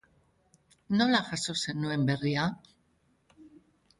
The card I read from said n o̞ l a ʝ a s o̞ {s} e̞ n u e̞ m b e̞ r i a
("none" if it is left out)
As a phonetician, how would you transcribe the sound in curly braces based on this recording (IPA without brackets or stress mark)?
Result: s